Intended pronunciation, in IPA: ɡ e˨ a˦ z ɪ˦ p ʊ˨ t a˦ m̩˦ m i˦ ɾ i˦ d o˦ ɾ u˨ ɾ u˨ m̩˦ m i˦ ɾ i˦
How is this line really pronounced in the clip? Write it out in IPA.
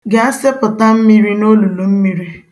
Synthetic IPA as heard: ɡ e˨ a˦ s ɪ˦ p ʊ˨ t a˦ m̩˦ m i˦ ɾ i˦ n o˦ l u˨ l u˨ m̩˦ m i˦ ɾ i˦